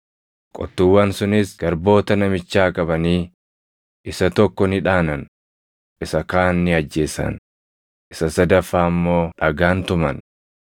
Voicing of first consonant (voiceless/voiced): voiceless